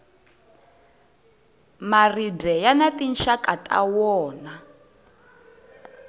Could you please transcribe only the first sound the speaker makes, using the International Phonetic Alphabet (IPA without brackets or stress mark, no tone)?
m